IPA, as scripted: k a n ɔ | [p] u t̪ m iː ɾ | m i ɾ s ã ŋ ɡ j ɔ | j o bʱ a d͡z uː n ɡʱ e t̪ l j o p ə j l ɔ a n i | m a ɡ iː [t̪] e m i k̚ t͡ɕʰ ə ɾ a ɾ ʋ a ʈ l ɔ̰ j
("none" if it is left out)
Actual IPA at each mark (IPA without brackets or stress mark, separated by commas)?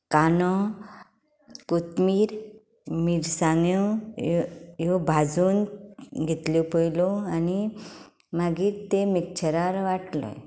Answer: k, t̪